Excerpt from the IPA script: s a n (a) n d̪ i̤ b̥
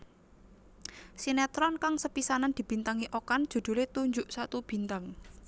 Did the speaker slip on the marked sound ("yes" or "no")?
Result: no